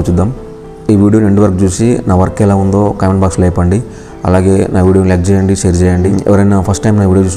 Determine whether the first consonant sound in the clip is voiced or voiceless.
voiceless